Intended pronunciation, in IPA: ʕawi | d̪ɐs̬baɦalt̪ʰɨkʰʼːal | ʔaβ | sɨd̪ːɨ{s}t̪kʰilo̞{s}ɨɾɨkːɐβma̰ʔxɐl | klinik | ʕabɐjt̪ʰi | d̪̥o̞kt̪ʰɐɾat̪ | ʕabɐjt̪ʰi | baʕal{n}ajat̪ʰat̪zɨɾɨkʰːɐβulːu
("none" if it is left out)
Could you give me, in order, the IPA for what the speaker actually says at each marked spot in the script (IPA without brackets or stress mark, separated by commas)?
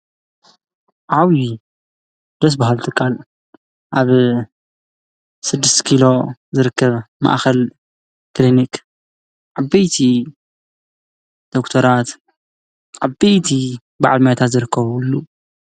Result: s, z, m